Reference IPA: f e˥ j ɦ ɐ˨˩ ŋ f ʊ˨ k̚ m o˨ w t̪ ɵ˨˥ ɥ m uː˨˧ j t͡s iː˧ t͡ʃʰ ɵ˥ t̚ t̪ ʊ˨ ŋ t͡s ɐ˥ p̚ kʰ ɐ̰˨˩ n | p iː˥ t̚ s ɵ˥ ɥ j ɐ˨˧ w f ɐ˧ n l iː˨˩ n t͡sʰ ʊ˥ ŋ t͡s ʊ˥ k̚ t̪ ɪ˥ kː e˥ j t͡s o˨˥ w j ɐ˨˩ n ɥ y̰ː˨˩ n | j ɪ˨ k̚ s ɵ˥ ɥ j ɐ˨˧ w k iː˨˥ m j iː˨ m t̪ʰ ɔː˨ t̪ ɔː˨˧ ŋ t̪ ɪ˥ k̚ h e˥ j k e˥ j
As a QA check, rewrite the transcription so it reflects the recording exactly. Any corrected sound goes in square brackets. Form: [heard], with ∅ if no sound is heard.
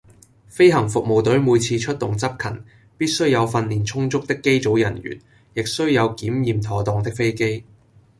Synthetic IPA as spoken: f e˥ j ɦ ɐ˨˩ ŋ f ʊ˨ k̚ m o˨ w t̪ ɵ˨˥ ɥ m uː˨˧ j [t͡sʰ] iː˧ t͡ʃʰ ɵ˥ t̚ t̪ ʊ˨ ŋ t͡s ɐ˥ p̚ kʰ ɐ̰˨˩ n | p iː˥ t̚ s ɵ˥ ɥ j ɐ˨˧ w f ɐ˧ n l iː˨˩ n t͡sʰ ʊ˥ ŋ t͡s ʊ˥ k̚ t̪ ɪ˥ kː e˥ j t͡s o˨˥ w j ɐ˨˩ n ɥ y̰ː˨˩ n | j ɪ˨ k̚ s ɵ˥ ɥ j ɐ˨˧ w k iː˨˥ m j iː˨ m t̪ʰ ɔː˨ t̪ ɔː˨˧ ŋ t̪ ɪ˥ k̚ [f] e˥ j k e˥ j